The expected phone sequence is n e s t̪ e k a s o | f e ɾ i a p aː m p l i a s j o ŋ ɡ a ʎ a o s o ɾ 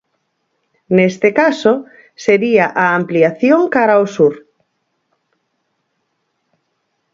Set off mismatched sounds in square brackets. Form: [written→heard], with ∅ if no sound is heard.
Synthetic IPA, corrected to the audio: n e s t̪ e k a s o | [f→s] e ɾ i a [p→ʔ] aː m p l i a [s→θ] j o ŋ [ɡ→k] a [ʎ→ɾ] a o s [o→u] ɾ